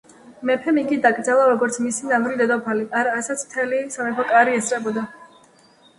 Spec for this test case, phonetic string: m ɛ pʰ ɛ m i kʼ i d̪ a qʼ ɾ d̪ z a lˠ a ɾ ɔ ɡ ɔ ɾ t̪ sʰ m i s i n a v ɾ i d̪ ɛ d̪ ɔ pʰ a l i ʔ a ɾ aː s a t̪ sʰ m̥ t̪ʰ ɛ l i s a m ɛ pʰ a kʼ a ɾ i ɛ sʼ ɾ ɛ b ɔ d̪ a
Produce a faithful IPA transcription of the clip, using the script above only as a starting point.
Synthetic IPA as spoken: m ɛ pʰ ɛ m i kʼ i d̪ a kʼ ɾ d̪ z a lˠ a ɾ ɔ ɡ ɔ ɾ t̪ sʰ m i s i n a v ɾ i d̪ ɛ d̪ ɔ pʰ a l i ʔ a ɾ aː s a t̪ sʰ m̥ t̪ʰ ɛ l i s a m ɛ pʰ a kʼ a ɾ i ɛ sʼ ɾ ɛ b ɔ d̪ a